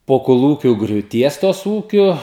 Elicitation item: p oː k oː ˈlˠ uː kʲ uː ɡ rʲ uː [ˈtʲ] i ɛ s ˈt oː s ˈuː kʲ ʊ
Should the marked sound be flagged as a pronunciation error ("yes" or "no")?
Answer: no